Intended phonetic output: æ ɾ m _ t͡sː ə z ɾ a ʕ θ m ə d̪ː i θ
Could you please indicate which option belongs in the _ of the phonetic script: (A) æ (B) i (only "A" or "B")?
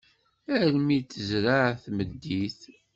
B